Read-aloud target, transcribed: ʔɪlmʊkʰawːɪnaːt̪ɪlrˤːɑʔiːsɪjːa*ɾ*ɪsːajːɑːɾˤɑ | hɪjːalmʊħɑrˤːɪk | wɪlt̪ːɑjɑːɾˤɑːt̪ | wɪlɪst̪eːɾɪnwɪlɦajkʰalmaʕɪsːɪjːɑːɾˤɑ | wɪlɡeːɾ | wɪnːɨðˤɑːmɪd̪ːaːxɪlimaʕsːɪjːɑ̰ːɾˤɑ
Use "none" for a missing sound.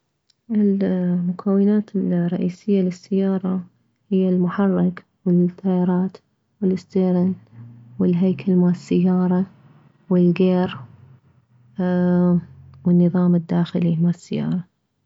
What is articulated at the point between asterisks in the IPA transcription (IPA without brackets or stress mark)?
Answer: l